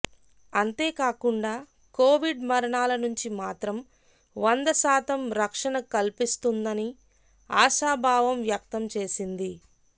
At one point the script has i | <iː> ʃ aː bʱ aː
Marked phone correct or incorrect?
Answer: incorrect